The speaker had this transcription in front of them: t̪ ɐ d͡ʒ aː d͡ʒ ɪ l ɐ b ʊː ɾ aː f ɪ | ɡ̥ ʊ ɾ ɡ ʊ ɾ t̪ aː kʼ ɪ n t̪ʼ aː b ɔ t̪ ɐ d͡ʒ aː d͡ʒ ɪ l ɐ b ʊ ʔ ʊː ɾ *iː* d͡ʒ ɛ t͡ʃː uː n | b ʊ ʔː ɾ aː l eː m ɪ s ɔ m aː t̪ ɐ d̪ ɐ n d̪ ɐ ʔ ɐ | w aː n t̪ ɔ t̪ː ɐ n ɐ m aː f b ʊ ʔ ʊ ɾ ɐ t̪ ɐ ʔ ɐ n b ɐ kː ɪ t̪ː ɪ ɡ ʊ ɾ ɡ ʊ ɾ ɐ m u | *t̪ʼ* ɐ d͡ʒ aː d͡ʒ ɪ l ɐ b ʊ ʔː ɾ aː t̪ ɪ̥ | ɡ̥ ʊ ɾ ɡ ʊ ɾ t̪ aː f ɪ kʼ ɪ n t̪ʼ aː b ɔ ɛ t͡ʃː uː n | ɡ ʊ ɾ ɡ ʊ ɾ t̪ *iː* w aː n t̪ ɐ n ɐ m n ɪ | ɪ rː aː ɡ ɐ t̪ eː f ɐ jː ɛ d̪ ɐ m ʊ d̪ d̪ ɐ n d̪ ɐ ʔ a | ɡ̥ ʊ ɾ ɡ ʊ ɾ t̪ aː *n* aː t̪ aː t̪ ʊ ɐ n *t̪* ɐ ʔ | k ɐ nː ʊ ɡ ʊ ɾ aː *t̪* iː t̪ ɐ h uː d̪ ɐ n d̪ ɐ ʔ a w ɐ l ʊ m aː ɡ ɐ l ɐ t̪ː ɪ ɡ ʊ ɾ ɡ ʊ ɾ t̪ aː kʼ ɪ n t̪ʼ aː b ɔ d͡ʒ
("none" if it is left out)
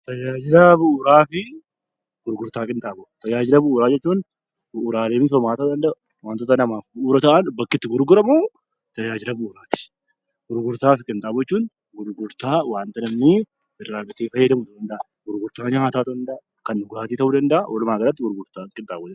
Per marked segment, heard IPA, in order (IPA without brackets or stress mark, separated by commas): aː, t̪, aː, ɲ, d̪, t̪